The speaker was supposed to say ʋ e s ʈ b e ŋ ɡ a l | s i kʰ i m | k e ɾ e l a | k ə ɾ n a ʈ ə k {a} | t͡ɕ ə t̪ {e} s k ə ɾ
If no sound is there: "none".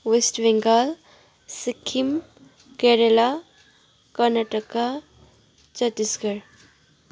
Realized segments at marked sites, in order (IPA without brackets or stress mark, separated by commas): a, i